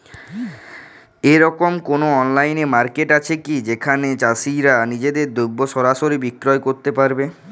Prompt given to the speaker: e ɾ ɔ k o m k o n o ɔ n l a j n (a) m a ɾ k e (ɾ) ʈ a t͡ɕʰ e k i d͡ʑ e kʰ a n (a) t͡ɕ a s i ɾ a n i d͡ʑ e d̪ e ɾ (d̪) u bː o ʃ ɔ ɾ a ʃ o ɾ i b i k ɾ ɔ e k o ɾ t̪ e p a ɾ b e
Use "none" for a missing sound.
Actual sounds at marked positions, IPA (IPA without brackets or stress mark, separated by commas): e, none, e, d̪